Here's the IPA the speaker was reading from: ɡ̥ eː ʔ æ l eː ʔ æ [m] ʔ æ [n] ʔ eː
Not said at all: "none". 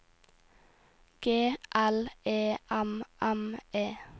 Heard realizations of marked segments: m, m

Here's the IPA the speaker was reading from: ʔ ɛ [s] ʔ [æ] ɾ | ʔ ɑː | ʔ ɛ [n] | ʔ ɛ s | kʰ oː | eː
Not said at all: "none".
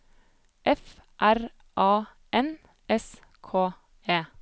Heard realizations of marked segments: f, æ, n

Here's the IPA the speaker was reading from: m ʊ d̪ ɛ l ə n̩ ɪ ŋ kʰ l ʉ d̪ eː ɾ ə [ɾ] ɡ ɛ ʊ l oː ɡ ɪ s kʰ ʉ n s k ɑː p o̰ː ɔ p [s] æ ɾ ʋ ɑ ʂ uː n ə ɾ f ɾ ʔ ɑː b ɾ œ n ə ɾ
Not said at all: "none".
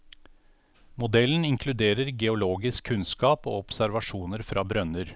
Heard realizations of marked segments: ɾ, s

